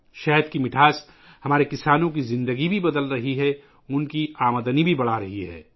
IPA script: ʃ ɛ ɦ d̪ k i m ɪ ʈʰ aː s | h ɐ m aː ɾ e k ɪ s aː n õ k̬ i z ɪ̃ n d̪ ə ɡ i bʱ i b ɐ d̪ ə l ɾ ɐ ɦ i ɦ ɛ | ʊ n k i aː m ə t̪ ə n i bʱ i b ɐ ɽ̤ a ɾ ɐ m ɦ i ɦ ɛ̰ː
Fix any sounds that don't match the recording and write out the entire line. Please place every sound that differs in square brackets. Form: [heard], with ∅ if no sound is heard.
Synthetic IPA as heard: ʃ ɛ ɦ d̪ k i m ɪ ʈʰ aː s | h ɐ m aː ɾ e k ɪ s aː n õ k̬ i z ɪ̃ n d̪ ə ɡ i bʱ i b ɐ d̪ ə l ɾ ɐ ɦ i ɦ ɛ | ʊ n k i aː m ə [d̪] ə n i bʱ i b ɐ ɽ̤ a ɾ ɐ [∅] ɦ i ɦ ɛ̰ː